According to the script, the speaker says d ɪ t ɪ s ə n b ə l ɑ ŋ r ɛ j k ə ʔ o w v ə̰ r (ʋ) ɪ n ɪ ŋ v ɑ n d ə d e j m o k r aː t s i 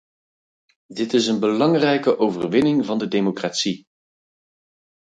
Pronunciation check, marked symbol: correct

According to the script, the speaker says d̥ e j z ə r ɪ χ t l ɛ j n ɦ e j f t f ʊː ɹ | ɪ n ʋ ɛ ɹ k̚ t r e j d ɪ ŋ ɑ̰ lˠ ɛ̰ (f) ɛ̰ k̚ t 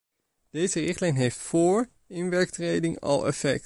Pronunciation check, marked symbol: correct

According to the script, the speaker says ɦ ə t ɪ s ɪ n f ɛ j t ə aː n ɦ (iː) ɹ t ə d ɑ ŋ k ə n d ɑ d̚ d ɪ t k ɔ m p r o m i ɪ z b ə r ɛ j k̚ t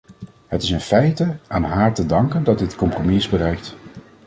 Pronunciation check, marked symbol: incorrect: aː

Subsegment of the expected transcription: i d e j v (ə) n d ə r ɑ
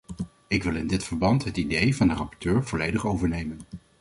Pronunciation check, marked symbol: incorrect: ɑ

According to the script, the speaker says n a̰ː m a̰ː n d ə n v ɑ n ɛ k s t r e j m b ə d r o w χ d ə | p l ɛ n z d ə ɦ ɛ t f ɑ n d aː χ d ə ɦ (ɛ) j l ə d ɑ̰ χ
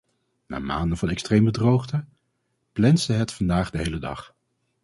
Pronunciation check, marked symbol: incorrect: e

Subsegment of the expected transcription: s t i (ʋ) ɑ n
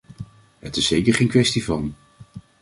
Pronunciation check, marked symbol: incorrect: v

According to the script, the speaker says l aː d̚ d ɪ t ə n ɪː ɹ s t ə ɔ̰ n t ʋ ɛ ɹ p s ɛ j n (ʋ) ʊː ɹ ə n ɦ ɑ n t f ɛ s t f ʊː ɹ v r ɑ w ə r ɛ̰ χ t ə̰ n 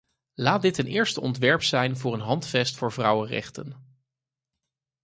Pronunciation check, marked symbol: incorrect: v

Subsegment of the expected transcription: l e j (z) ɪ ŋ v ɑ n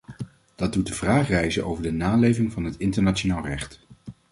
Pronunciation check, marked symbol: incorrect: v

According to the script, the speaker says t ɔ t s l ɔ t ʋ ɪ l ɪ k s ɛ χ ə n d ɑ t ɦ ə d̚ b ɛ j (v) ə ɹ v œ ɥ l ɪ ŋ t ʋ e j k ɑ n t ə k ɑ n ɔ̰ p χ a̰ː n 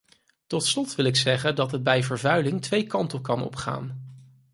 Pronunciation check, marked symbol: correct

